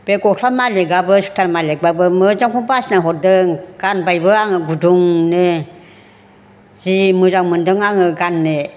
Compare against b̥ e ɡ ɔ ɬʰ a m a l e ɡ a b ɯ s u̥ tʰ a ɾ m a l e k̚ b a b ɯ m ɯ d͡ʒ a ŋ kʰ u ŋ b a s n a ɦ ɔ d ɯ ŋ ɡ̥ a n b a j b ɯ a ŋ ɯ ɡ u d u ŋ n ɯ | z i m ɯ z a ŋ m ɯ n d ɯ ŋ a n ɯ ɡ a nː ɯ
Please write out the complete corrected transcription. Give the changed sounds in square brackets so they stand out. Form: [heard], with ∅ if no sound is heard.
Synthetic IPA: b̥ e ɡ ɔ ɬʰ a m a l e ɡ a b ɯ s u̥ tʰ a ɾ m a l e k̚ b a b ɯ m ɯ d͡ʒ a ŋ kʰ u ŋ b a s n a ɦ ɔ d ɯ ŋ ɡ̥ a n b a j b ɯ a ŋ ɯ ɡ u d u ŋ n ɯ | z i m ɯ z a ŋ m ɯ n d ɯ ŋ a [ŋ] ɯ ɡ a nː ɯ